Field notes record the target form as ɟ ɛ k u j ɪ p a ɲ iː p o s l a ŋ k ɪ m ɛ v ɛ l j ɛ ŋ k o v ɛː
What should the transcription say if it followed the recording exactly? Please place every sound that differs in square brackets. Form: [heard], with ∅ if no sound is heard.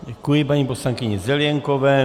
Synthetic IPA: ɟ ɛ k u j ɪ p a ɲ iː p o s l a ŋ k ɪ [ɲ] ɛ [z] ɛ l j ɛ ŋ k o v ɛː